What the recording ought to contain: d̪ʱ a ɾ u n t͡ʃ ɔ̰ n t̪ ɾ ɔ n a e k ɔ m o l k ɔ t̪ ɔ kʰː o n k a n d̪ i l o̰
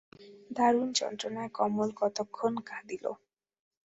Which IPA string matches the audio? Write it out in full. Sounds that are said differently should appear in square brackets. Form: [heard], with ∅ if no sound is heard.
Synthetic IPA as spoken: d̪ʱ a ɾ u n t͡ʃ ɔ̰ n t̪ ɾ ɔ n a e k ɔ m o l k ɔ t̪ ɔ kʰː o n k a [∅] d̪ i l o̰